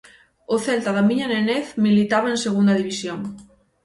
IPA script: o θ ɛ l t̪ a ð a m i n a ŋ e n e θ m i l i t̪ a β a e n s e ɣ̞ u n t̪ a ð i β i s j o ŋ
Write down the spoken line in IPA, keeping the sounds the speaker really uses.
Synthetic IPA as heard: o θ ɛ l t̪ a ð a m i ɲ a n e n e θ m i l i t̪ a β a e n s e ɣ̞ u n d̪ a ð i β i s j o ŋ